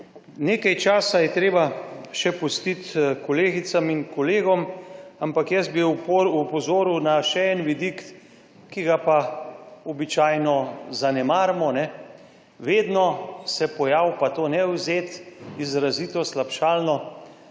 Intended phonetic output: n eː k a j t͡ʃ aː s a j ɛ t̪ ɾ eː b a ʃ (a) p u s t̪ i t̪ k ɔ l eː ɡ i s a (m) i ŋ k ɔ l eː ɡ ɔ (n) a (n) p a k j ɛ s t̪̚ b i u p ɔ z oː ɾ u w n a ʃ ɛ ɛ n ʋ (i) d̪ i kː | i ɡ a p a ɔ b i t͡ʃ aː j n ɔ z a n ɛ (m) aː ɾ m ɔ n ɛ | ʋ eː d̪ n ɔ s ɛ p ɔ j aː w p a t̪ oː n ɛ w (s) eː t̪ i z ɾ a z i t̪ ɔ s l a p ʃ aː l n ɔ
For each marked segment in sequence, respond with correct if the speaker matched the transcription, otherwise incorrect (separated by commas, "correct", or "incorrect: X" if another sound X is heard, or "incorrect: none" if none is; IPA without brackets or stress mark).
incorrect: ɛ, correct, incorrect: m, incorrect: m, correct, correct, incorrect: z